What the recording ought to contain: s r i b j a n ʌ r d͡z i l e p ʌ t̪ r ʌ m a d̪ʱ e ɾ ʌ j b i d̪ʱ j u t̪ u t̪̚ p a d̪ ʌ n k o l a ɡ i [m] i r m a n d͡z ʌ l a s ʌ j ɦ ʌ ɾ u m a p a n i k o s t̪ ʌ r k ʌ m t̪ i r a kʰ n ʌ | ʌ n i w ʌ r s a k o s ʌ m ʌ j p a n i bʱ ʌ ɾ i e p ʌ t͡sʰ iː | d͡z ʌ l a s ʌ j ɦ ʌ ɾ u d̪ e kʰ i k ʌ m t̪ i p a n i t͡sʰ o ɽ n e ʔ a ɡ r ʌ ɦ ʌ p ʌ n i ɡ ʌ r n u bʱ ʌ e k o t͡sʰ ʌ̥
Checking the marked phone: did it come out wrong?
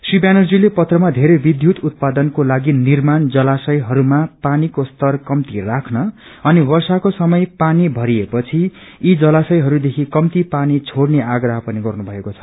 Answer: yes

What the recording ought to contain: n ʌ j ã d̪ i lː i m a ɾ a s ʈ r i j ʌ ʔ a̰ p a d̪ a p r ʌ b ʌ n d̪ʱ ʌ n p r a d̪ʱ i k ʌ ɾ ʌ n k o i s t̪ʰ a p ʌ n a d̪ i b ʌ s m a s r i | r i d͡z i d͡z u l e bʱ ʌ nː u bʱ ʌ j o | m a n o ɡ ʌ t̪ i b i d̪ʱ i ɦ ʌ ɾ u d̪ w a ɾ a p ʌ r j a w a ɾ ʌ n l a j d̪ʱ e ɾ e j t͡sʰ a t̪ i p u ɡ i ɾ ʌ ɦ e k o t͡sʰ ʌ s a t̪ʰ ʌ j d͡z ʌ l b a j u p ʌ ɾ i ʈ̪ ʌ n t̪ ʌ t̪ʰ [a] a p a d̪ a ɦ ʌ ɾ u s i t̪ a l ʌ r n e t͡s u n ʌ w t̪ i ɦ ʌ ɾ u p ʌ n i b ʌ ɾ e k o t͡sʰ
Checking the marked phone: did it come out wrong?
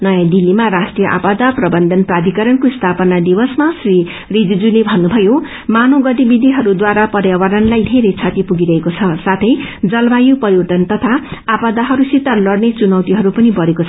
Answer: no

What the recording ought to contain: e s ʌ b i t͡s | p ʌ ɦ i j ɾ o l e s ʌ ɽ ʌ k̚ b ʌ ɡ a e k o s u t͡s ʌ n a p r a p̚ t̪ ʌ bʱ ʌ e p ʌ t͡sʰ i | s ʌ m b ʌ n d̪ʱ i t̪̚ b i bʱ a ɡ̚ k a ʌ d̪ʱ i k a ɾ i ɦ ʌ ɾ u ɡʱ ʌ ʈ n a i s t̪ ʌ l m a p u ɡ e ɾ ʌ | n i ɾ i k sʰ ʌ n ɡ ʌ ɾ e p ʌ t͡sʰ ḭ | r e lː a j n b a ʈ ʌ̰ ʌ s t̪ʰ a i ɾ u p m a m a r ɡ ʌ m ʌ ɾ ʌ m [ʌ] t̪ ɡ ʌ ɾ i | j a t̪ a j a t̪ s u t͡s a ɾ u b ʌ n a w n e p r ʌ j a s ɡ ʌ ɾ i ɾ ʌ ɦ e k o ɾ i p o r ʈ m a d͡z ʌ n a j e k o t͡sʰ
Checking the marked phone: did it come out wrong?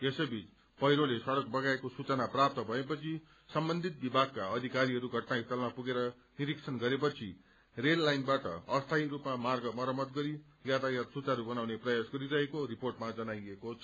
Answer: no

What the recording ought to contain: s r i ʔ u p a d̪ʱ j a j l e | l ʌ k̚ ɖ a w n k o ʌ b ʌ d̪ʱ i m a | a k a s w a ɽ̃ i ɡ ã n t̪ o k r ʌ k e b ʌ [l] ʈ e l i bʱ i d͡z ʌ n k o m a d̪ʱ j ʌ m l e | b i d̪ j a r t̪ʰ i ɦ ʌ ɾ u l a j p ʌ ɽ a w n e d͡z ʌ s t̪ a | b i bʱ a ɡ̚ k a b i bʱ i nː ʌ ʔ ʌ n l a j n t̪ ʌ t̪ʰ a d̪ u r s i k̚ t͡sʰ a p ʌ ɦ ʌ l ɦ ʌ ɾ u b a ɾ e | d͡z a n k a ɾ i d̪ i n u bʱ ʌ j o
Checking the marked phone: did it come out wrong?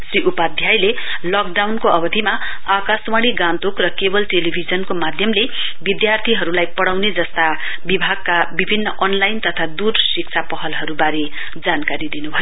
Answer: no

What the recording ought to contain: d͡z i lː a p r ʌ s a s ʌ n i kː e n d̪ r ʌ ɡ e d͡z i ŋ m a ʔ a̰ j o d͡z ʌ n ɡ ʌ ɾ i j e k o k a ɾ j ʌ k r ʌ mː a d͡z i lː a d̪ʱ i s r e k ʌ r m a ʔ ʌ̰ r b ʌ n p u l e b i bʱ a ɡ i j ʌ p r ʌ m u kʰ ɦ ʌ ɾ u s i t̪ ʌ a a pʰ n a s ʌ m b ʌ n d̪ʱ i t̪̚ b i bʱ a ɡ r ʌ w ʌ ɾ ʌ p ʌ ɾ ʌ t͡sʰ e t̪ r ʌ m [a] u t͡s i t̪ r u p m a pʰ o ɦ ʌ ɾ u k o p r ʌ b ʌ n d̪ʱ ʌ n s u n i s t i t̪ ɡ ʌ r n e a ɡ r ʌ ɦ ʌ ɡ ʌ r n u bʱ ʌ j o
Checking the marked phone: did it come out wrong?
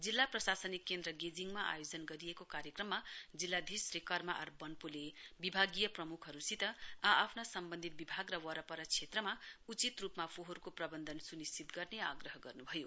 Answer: no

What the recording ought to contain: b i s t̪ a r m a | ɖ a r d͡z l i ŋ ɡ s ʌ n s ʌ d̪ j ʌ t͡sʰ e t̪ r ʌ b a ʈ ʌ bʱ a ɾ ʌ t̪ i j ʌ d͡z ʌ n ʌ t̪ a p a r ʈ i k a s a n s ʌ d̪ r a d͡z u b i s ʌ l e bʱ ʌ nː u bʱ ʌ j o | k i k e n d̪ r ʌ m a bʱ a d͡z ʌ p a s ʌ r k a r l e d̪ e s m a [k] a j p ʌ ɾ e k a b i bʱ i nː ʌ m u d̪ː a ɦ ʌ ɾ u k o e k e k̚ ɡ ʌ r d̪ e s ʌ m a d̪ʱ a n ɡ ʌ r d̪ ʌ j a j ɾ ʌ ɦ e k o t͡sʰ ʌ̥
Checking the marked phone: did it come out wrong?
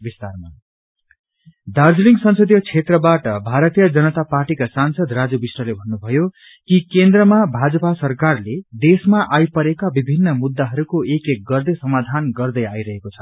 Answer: yes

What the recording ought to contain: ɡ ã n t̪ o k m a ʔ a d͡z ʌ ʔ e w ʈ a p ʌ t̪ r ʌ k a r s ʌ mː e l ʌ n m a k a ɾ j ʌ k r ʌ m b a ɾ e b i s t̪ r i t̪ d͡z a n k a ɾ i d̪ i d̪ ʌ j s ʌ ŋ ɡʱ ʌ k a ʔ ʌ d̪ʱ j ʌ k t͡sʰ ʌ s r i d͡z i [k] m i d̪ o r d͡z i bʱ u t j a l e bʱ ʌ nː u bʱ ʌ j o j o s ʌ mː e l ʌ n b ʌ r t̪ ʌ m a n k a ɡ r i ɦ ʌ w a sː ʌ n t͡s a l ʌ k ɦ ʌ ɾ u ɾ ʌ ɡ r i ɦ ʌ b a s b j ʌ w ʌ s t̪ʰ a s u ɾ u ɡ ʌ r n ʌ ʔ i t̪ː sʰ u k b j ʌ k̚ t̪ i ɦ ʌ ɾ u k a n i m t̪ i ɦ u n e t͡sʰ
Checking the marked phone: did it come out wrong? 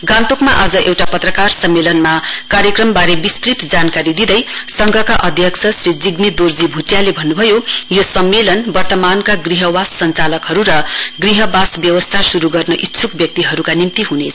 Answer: yes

